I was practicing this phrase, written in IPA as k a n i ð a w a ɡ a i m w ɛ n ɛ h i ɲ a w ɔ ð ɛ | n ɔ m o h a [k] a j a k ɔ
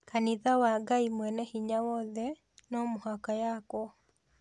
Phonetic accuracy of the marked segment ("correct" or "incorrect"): correct